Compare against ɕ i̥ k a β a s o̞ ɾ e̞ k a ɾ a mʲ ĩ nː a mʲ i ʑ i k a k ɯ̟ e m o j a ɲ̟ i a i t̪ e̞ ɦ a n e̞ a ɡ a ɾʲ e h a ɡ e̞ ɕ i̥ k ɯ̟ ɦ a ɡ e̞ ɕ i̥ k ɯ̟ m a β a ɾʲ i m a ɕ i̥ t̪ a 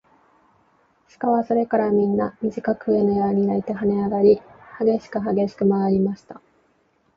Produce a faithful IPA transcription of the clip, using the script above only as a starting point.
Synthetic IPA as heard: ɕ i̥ k a β a s o̞ ɾ e̞ k a ɾ a mʲ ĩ nː a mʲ i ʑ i k a k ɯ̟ e n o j a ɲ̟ i a i t̪ e̞ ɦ a n e̞ a ɡ a ɾʲ i h a ɡ e̞ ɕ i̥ k ɯ̟ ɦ a ɡ e̞ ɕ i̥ k ɯ̟ m a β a ɾʲ i m a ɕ i̥ t̪ a